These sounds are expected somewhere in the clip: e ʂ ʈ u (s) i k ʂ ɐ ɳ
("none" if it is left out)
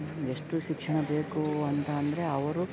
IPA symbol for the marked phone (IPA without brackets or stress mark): ʃ